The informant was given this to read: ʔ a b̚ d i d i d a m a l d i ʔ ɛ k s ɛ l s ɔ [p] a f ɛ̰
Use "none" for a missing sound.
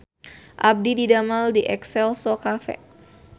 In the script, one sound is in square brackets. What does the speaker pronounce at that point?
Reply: k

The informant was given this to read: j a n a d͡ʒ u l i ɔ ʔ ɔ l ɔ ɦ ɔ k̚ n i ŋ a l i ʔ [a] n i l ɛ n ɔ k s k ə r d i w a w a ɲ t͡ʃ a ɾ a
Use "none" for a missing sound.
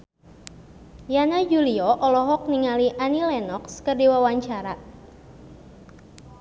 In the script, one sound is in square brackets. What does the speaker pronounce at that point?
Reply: a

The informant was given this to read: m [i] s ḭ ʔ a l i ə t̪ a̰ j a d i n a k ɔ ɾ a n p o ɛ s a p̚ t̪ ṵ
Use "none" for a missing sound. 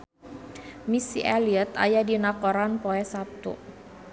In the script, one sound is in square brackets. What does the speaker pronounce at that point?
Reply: i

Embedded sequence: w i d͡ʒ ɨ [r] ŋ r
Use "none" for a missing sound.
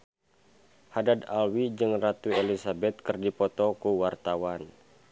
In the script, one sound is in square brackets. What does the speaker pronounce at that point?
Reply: none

